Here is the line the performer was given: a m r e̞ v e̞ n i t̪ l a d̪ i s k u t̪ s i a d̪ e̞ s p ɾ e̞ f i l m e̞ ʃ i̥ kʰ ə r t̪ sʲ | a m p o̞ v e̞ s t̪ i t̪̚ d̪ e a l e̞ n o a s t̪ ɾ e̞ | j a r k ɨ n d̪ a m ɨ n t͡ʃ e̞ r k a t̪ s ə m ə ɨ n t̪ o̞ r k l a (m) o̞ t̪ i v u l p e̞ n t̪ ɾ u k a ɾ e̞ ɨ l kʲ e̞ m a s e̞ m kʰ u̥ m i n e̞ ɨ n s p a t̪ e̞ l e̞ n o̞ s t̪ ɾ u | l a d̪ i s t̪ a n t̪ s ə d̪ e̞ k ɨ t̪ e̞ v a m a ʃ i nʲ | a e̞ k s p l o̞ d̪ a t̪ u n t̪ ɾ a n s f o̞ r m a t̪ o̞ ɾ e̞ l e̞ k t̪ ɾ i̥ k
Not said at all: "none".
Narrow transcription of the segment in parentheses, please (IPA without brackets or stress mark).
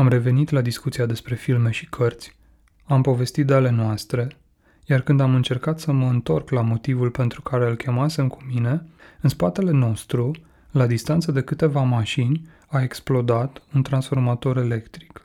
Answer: m